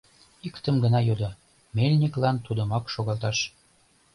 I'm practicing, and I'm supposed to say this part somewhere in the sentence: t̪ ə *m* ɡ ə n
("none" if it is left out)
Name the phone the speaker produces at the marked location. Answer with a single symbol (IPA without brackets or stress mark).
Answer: m